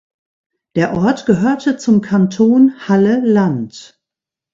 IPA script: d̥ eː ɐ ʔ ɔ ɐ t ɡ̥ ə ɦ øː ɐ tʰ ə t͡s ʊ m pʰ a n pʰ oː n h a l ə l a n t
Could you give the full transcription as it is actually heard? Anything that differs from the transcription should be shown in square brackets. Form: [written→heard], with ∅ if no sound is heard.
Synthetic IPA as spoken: d̥ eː ɐ ʔ ɔ ɐ t ɡ̥ ə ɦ øː ɐ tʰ ə t͡s ʊ m [pʰ→kʰ] a n [pʰ→tʰ] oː n h a l ə l a n t